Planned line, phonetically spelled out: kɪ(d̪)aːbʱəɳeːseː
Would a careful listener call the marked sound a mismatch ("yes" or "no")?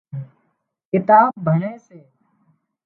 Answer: yes